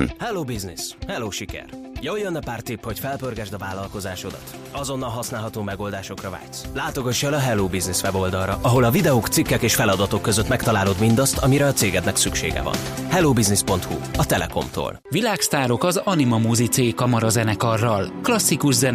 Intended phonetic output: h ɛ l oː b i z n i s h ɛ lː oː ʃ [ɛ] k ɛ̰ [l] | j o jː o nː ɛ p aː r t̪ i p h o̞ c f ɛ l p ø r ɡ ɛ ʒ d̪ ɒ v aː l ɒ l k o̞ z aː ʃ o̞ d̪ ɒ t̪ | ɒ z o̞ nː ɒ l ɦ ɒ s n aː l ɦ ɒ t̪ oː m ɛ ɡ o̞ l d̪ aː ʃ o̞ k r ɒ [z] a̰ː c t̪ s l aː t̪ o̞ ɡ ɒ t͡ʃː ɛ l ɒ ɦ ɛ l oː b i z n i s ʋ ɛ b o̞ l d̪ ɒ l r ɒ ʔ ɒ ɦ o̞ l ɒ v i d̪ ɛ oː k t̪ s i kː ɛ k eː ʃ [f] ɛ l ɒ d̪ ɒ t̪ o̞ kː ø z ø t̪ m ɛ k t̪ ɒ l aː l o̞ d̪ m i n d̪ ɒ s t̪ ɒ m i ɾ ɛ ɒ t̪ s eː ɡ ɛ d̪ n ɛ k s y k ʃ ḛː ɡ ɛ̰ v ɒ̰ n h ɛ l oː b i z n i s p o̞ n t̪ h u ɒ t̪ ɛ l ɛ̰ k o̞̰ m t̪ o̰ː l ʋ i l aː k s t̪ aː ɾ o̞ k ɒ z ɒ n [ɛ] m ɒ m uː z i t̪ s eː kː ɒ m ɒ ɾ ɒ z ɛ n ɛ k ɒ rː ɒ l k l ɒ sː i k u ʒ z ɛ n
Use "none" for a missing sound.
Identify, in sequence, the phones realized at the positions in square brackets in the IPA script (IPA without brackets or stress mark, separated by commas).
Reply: i, r, v, f, i